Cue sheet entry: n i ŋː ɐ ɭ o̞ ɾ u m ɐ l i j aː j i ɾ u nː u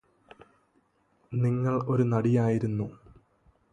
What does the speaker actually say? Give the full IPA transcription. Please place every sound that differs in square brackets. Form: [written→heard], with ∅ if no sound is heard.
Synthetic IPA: n i ŋː ɐ ɭ o̞ ɾ u [m→n] ɐ [l→ɽ] i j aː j i ɾ u nː u

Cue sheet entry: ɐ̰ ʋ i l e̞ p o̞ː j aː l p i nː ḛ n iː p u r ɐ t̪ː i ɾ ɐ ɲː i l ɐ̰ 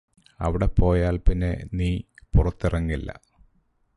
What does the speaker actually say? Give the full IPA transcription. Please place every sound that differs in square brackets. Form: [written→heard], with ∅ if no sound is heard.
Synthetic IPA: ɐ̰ ʋ i [l→ɽ] e̞ p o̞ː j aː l p i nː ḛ n iː p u r ɐ t̪ː i [ɾ→r] ɐ [ɲː→ŋː] i [l→lː] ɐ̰

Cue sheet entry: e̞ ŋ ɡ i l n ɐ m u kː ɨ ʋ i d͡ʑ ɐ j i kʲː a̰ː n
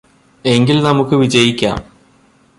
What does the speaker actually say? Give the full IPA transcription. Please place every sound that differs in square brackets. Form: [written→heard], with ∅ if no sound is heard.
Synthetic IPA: e̞ ŋ ɡ i l n ɐ m u kː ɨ ʋ i d͡ʑ ɐ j i kʲː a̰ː [n→m]

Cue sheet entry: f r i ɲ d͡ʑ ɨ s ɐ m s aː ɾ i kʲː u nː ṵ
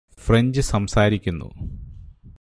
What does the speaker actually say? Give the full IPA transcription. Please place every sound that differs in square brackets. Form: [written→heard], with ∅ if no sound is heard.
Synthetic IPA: f r [i→e] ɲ d͡ʑ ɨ s ɐ m s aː ɾ i kʲː u nː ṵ

